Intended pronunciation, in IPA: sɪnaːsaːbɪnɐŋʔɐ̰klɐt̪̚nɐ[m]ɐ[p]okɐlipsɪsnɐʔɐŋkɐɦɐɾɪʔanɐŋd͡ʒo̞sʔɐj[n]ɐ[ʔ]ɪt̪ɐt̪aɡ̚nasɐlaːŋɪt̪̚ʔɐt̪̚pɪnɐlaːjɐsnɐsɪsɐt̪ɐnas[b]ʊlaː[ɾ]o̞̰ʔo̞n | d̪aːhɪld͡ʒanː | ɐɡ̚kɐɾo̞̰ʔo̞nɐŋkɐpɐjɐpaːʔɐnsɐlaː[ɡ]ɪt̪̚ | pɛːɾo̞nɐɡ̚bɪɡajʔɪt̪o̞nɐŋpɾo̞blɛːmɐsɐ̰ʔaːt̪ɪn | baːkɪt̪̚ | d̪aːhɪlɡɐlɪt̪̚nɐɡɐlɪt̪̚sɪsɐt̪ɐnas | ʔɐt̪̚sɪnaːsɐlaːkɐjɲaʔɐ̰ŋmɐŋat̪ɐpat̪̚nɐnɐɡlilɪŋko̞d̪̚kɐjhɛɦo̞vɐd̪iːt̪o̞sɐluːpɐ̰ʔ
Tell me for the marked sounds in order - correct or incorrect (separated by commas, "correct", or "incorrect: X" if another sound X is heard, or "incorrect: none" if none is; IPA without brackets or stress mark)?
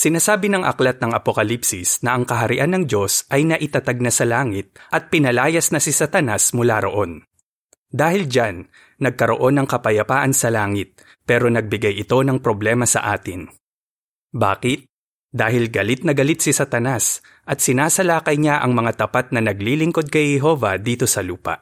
incorrect: ŋ, correct, correct, correct, incorrect: m, correct, incorrect: ŋ